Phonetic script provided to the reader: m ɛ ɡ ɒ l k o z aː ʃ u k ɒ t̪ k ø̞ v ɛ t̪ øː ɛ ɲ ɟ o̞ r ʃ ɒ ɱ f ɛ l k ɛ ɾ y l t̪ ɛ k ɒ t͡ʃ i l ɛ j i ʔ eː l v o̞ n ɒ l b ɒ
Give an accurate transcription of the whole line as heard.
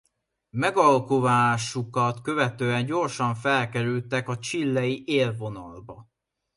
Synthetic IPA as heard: m ɛ ɡ ɒ l k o v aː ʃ u k ɒ t̪ k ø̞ v ɛ t̪ øː ɛ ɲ ɟ o̞ r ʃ ɒ ɱ f ɛ l k ɛ ɾ y l t̪ ɛ k ɒ t͡ʃ i lː ɛ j i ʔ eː l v o̞ n ɒ l b ɒ